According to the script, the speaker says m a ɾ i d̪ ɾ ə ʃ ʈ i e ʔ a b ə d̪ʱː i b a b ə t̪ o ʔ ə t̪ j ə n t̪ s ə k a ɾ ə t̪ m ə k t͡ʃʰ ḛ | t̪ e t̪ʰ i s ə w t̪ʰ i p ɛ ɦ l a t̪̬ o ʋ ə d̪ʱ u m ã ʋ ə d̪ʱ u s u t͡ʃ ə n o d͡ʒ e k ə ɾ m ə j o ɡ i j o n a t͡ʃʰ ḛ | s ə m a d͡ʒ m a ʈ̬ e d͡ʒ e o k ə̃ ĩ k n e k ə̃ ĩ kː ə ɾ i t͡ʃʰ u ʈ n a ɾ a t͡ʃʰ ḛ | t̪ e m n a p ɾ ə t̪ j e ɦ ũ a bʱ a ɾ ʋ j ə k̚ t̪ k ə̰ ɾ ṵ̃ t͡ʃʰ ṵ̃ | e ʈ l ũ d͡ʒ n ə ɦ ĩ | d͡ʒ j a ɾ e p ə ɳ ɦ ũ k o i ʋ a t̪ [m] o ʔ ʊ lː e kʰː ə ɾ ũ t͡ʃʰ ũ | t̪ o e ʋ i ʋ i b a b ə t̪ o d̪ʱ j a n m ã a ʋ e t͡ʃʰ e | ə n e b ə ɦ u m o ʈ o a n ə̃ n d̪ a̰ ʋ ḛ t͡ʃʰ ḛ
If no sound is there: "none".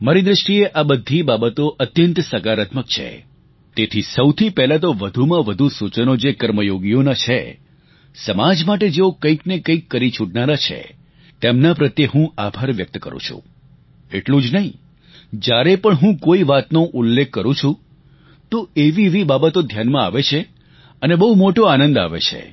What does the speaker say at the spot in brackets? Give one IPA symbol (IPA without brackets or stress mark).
n